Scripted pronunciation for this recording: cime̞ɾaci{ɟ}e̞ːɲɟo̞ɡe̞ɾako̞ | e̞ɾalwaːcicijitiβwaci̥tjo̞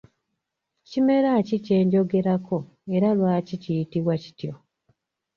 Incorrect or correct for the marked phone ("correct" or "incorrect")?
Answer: incorrect